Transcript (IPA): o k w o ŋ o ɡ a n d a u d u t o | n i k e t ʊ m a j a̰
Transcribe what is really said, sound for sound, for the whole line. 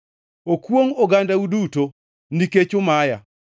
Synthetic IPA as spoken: o k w o ŋ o ɡ a n d a u d u t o | n i k e t͡ʃ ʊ m a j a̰